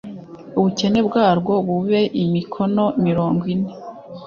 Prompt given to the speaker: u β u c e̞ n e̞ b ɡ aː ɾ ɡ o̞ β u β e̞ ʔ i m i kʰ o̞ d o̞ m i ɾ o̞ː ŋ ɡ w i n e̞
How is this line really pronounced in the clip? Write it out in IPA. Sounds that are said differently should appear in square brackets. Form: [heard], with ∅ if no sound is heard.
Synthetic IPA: u β u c e̞ n e̞ b ɡ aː ɾ ɡ o̞ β u β e̞ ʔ i m i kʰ o̞ [n] o̞ m i ɾ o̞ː ŋ ɡ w i n e̞